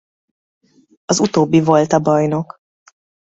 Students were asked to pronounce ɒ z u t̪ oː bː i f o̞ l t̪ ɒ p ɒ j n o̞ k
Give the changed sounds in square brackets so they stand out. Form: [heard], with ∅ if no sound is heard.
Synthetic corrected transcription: ɒ z u t̪ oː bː i [v] o̞ l t̪ ɒ [b] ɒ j n o̞ k

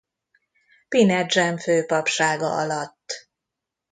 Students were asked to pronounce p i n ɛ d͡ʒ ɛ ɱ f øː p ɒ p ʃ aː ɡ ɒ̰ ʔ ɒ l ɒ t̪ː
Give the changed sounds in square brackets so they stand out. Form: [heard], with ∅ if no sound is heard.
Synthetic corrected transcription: p i n ɛ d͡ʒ ɛ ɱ f øː p ɒ p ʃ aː ɡ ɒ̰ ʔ ɒ l ɒ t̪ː

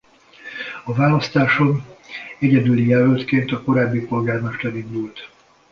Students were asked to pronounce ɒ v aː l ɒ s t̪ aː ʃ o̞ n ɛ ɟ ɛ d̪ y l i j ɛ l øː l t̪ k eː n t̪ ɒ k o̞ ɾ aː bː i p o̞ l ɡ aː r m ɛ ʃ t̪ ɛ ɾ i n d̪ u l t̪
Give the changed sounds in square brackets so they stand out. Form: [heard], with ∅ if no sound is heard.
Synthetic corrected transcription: ɒ v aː l ɒ s t̪ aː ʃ o̞ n ɛ ɟ ɛ d̪ y l i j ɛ l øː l t̪ k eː n t̪ ɒ k o̞ ɾ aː bː i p o̞ l ɡ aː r m ɛ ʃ t̪ ɛ ɾ i n d̪ u l t̪

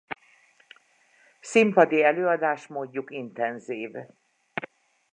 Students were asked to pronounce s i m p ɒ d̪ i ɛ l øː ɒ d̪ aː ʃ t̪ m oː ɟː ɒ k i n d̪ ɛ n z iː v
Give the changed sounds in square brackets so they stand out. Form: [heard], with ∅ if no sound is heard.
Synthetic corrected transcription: s i m p ɒ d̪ i ɛ l øː ɒ d̪ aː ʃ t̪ m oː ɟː [u] k i n [t̪] ɛ n z iː v

